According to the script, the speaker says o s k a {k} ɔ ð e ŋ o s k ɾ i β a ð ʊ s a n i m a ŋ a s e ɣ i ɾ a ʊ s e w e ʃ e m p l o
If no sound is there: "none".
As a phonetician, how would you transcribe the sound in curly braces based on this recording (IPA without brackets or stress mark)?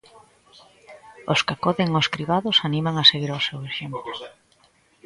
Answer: k